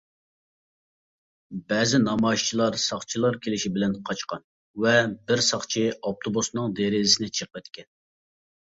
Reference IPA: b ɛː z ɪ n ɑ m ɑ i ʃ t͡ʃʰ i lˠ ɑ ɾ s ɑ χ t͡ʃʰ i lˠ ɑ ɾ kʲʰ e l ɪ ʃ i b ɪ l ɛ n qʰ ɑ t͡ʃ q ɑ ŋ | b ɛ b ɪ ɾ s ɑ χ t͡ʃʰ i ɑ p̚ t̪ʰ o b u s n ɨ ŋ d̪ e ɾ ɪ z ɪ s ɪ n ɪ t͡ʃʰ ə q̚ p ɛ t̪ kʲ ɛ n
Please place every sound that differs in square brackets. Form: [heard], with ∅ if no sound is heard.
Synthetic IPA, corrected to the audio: b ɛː z ɪ n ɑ m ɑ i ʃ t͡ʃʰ i lˠ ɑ ɾ s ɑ χ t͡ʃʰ i lˠ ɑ ɾ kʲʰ e l ɪ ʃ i b ɪ l ɛ n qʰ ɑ t͡ʃ q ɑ [n] | [v] ɛ b ɪ ɾ s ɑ χ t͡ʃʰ i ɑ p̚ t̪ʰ o b u s n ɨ ŋ d̪ e ɾ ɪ z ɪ s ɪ n ɪ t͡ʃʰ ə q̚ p ɛ t̪ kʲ ɛ n